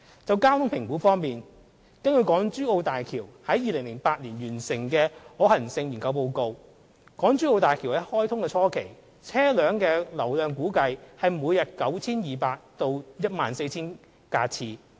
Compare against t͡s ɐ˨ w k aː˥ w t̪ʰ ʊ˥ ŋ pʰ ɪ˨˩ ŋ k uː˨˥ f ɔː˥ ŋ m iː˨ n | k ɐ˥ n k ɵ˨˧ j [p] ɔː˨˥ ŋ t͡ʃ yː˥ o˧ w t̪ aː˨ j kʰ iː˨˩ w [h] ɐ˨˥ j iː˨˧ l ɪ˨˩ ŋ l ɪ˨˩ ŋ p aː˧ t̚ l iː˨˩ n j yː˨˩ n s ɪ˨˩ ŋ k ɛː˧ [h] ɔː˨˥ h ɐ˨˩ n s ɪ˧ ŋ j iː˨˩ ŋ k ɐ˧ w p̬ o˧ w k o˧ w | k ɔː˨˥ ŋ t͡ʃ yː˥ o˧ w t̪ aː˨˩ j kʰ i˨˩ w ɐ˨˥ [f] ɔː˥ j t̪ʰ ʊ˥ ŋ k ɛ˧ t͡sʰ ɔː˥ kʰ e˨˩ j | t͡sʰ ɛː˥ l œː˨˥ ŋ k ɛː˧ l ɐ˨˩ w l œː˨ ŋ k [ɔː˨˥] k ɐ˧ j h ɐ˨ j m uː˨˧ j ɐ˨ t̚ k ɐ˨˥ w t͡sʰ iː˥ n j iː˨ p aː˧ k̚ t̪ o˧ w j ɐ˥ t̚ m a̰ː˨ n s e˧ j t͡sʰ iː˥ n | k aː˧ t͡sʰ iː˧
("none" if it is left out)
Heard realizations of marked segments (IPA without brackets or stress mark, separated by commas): k, h, h, h, uː˨˥